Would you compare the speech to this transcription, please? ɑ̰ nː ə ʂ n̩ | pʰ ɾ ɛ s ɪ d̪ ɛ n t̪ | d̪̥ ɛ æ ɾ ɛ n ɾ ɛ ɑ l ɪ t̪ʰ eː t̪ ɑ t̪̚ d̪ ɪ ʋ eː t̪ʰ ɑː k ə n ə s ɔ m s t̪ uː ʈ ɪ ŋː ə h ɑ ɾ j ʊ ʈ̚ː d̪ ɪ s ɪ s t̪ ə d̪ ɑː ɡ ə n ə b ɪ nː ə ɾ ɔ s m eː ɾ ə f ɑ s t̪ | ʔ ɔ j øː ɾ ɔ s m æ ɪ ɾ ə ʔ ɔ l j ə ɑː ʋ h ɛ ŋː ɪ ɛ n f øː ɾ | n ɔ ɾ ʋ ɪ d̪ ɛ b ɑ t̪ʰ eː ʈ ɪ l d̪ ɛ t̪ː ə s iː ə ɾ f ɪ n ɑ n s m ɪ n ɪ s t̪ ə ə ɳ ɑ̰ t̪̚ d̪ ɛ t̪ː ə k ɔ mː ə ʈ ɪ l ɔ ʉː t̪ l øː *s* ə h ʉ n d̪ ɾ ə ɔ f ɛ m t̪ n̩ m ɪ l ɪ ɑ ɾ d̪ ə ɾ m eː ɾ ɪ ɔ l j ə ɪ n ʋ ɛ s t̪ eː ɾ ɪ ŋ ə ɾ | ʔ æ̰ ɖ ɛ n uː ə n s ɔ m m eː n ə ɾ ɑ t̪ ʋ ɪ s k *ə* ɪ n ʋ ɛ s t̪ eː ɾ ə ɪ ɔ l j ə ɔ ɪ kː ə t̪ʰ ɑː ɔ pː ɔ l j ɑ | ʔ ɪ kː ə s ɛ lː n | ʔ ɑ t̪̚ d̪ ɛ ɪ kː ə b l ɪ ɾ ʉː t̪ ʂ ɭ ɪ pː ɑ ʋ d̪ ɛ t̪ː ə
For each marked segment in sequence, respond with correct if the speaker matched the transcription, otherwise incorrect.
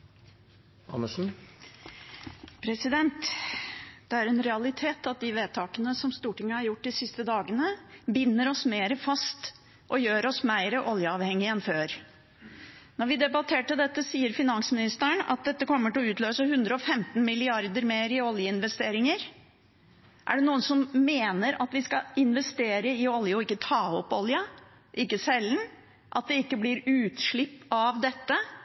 correct, incorrect

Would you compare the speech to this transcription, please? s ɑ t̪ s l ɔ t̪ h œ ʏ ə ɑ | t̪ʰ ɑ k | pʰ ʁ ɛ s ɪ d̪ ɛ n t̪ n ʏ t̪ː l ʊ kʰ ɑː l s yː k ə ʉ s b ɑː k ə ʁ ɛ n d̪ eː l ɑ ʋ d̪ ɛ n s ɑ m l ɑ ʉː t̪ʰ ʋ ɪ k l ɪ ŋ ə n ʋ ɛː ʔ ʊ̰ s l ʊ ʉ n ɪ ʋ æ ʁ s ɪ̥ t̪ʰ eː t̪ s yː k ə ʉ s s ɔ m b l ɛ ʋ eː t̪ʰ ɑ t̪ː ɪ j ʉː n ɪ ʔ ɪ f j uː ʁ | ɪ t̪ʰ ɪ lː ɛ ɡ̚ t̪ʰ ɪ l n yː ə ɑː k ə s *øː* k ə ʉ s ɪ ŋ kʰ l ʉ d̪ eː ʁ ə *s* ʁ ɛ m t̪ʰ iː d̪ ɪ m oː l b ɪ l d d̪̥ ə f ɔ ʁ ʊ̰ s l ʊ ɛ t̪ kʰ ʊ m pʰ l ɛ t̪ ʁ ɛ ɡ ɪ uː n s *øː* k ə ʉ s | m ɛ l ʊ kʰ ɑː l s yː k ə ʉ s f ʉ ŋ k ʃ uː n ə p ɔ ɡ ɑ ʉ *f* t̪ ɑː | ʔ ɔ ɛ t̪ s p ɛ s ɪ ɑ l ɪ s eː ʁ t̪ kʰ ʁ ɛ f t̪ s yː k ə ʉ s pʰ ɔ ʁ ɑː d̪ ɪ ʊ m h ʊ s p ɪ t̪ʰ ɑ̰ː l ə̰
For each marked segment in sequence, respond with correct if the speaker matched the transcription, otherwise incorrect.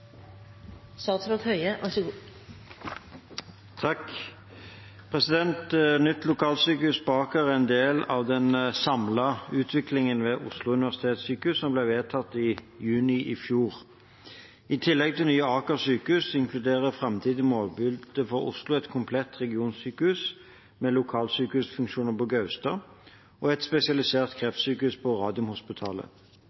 incorrect, incorrect, incorrect, incorrect

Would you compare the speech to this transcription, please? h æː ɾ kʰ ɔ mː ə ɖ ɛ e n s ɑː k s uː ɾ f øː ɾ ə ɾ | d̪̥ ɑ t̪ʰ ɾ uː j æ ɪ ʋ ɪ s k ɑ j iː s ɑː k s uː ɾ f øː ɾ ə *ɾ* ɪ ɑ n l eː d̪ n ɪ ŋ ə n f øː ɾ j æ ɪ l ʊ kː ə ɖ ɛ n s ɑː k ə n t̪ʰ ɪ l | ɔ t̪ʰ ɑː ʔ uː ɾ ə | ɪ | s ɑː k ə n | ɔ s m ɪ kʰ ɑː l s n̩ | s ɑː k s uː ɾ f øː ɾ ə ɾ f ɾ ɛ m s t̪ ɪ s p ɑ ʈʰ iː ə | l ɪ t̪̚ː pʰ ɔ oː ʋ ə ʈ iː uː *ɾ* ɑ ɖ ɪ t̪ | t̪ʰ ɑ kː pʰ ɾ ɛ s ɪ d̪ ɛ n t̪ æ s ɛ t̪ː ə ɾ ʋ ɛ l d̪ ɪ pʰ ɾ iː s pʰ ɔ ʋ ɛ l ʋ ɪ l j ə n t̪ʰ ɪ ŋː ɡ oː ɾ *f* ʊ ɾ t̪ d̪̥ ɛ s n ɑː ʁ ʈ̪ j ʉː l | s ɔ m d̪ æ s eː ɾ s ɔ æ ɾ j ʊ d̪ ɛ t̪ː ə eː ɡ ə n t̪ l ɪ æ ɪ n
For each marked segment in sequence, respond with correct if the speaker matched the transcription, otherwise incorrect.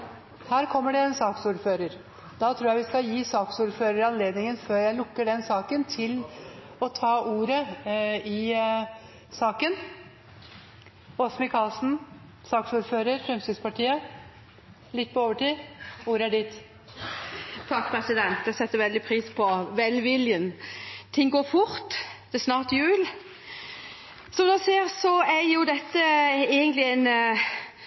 correct, correct, correct

